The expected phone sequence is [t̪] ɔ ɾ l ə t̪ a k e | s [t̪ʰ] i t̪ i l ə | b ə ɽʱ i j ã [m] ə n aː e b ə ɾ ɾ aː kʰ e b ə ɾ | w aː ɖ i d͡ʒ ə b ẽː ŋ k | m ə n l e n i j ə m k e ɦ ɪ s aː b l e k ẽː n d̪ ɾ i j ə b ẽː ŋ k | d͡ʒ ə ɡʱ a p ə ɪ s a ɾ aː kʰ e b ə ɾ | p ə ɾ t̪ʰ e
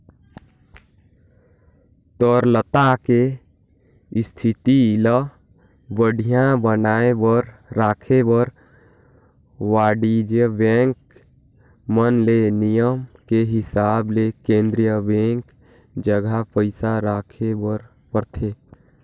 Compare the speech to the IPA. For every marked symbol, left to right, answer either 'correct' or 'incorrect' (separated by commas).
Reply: correct, correct, incorrect